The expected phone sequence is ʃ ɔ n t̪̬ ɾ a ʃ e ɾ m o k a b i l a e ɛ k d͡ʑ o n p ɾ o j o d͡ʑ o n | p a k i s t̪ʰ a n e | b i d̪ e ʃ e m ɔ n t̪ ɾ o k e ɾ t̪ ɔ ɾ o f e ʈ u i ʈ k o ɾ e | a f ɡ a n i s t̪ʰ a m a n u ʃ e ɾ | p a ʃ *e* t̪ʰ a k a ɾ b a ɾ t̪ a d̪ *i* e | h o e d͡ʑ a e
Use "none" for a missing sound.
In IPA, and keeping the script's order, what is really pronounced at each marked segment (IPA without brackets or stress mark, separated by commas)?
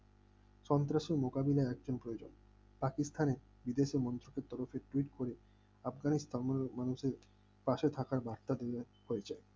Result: e, e